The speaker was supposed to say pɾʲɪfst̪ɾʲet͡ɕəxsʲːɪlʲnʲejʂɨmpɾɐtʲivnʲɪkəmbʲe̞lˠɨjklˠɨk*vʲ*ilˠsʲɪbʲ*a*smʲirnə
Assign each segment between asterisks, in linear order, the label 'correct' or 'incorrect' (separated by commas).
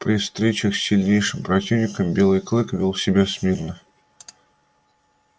correct, correct